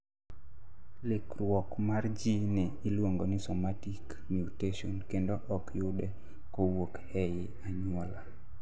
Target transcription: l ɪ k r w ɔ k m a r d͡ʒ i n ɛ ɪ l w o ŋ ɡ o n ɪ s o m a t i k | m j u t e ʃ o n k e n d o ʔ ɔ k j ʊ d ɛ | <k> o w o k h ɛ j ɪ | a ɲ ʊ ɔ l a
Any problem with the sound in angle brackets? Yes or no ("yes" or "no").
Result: no